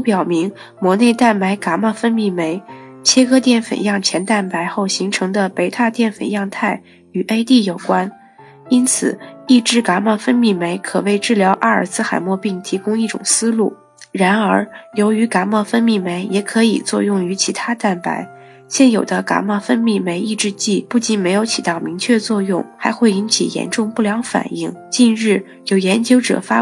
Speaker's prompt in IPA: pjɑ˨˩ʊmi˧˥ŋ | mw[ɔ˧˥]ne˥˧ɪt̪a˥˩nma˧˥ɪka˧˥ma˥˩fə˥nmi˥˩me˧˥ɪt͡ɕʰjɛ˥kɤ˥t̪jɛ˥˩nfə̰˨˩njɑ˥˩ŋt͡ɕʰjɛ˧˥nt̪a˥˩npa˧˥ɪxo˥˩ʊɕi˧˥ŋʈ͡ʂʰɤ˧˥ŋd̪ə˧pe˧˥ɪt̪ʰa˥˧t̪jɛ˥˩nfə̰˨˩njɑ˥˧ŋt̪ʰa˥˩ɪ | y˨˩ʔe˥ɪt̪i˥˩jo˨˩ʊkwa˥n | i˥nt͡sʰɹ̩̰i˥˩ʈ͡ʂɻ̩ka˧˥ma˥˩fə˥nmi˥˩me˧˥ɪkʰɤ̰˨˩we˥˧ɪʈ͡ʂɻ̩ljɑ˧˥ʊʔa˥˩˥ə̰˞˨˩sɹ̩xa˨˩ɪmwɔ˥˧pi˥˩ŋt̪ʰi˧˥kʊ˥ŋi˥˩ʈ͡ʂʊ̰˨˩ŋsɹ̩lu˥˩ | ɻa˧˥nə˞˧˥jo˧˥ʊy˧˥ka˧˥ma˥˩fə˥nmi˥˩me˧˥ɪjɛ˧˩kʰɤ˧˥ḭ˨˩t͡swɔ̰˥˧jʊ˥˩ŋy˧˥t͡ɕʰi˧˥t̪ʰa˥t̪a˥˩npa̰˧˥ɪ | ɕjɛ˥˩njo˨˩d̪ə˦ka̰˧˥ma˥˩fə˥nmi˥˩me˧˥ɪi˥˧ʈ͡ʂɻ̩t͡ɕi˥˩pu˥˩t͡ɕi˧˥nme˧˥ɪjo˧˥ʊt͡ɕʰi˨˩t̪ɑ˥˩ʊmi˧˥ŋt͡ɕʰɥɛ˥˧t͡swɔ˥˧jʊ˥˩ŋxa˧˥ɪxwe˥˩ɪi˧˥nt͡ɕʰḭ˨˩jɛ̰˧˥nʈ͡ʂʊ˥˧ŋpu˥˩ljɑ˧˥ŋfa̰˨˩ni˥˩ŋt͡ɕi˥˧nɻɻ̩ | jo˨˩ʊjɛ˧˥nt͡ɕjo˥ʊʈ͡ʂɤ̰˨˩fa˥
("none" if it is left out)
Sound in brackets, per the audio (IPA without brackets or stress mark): ɔ˧˥